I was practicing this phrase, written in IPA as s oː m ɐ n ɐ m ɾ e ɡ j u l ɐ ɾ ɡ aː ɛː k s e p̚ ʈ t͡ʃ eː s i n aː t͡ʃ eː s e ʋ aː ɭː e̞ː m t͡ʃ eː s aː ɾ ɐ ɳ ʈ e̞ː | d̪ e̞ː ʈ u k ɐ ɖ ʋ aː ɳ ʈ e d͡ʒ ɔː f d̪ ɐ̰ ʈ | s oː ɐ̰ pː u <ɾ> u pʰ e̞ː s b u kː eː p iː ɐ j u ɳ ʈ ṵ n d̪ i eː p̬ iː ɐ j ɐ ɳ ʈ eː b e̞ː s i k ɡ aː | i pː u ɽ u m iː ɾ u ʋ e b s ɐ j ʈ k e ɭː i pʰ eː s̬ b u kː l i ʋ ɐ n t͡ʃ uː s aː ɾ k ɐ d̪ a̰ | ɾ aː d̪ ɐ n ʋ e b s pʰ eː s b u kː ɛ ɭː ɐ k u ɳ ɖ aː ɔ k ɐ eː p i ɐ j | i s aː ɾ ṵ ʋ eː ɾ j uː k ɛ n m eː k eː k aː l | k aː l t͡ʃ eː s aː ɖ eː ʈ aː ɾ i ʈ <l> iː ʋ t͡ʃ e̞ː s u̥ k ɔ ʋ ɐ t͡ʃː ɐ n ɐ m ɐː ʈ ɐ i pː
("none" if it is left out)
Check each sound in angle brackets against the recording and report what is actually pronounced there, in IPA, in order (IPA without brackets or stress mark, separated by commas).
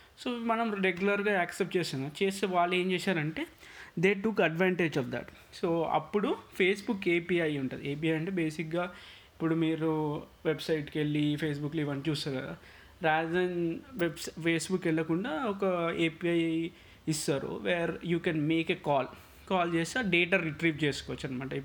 ɽ, ɾ